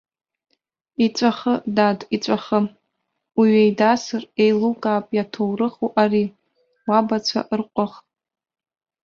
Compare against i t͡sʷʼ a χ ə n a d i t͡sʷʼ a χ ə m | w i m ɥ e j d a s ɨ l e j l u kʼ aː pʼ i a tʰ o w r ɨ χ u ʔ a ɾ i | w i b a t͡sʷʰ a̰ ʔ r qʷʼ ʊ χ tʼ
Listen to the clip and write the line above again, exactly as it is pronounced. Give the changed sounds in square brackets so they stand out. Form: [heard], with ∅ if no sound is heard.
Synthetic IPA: i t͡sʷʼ a χ ə [d] a d i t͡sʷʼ a χ ə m | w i [∅] ɥ e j d a s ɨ [r] e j l u kʼ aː pʼ [j] a tʰ o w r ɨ χ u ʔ a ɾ i | w [a] b a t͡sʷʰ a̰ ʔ r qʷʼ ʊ χ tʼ